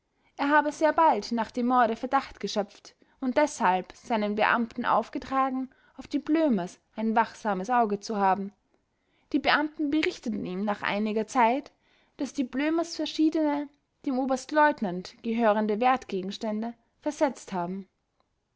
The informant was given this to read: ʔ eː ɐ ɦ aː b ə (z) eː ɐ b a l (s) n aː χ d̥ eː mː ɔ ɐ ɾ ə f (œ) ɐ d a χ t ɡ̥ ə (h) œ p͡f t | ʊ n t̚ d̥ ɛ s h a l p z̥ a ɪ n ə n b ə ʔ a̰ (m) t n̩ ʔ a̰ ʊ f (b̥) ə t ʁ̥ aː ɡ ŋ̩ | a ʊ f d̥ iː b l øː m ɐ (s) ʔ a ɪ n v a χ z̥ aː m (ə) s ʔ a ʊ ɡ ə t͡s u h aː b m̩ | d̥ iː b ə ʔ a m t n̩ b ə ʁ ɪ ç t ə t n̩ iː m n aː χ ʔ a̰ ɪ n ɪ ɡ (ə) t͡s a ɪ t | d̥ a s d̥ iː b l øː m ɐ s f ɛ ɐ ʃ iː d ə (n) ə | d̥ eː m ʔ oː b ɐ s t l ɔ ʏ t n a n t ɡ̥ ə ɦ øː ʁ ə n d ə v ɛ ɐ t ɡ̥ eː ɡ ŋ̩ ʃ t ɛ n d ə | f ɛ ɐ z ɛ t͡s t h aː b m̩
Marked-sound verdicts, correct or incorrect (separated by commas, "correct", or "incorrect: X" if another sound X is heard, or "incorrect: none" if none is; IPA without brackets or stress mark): correct, incorrect: t, incorrect: ɛ, incorrect: ʃ, correct, incorrect: ɡ̥, correct, correct, incorrect: ɐ, correct